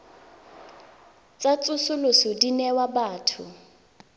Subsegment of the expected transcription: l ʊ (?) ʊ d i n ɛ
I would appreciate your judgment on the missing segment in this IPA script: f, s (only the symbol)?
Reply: s